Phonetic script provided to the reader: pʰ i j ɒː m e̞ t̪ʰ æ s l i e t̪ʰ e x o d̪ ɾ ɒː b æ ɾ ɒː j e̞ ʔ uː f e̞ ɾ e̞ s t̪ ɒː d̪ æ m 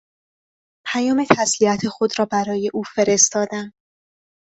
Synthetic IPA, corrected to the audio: pʰ æ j ɒː m e̞ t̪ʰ æ s l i æ t̪ʰ e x o d̪ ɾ ɒː b æ ɾ ɒː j e̞ ʔ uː f e̞ ɾ e̞ s t̪ ɒː d̪ æ m